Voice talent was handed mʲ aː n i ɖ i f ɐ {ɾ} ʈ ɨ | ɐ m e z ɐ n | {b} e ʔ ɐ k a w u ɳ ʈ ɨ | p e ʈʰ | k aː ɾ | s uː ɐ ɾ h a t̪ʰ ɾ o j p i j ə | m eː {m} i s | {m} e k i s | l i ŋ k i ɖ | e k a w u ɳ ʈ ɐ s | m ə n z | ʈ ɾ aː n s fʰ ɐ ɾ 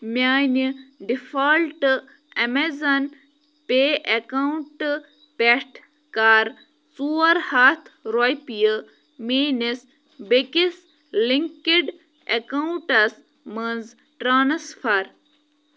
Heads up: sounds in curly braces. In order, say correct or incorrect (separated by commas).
incorrect, incorrect, incorrect, incorrect